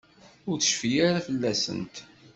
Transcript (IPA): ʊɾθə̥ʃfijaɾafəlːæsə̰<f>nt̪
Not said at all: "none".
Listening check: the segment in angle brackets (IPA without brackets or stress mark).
none